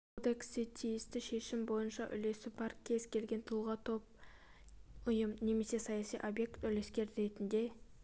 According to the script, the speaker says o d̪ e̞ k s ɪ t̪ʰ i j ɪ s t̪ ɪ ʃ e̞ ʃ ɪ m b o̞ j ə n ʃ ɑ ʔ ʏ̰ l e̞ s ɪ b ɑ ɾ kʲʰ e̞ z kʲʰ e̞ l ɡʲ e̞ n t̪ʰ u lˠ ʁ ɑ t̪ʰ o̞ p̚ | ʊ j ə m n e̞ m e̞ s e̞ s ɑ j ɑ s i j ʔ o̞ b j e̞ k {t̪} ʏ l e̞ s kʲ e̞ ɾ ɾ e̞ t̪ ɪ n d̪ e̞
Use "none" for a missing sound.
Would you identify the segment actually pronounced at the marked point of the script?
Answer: t̪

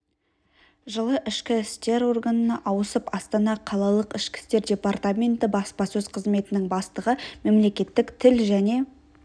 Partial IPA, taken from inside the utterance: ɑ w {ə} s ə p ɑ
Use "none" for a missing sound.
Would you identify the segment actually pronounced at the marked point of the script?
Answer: ə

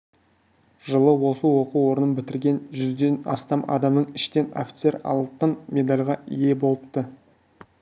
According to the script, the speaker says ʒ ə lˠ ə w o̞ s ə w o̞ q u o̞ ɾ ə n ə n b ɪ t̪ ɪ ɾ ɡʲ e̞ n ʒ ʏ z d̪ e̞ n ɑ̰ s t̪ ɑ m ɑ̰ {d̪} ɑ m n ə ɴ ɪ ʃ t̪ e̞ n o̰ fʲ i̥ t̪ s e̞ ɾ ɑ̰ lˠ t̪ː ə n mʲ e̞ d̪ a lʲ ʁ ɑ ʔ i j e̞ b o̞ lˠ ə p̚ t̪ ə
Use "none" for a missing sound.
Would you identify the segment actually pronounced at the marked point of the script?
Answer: d̪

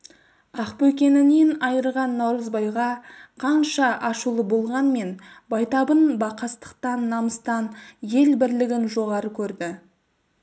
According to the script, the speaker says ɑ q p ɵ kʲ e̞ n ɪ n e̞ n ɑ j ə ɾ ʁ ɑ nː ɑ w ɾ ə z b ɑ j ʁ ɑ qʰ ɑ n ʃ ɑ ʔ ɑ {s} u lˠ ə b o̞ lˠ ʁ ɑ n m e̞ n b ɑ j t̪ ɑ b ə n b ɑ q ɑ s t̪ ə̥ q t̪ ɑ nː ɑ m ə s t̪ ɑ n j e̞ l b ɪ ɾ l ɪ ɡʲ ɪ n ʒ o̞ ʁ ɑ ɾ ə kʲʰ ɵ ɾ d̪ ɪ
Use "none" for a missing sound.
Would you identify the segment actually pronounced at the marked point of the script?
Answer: ʃ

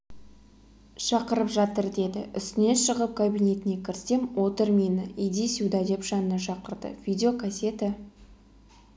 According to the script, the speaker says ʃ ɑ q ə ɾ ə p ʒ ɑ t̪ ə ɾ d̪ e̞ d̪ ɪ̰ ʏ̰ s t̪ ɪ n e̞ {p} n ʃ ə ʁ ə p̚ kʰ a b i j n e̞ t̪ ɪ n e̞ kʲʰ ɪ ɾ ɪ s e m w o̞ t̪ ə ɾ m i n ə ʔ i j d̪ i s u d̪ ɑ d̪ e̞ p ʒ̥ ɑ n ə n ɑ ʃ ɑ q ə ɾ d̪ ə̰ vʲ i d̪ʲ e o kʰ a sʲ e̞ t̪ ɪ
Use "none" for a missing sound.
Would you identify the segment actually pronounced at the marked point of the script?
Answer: none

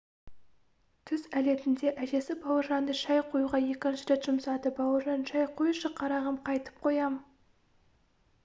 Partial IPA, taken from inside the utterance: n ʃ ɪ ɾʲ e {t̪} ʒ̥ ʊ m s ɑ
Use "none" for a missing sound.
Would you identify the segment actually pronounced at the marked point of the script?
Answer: t̪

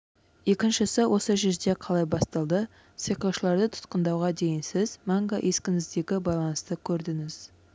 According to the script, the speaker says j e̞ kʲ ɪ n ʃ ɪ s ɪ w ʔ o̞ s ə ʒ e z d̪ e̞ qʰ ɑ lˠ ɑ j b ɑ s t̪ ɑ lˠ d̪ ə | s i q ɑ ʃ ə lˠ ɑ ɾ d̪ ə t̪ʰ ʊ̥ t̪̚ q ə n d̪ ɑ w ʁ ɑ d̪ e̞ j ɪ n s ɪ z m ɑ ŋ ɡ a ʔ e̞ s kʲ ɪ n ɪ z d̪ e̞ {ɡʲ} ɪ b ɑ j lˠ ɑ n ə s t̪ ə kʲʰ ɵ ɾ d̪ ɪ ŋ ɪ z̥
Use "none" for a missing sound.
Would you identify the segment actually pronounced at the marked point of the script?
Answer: ɡʲ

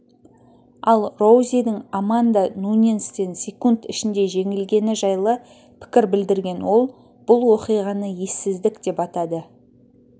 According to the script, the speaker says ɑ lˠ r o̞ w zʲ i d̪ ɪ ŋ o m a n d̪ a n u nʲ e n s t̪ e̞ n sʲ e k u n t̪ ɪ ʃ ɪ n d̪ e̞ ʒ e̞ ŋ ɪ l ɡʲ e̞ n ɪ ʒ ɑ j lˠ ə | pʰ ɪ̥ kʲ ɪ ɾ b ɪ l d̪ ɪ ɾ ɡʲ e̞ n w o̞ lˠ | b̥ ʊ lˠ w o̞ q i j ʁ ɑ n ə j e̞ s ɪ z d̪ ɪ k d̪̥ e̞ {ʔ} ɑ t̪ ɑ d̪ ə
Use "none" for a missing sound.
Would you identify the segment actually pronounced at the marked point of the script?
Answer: p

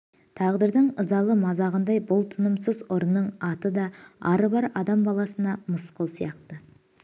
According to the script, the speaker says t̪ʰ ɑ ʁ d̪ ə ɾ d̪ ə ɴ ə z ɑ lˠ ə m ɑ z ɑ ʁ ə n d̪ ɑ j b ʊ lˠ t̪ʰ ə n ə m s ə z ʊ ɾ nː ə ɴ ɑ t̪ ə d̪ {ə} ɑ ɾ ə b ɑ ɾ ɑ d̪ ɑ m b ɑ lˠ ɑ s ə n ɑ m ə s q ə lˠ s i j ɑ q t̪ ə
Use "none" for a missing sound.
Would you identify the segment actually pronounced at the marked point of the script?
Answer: ɑ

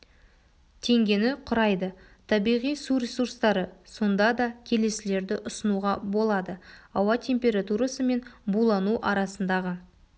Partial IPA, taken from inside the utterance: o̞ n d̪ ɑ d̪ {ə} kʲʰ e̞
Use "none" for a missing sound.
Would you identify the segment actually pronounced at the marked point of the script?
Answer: ɑ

